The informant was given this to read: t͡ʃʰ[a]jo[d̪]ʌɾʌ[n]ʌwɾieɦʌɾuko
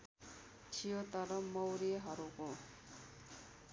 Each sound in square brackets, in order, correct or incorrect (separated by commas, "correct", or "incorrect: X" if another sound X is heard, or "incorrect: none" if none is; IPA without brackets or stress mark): incorrect: i, incorrect: t̪, incorrect: m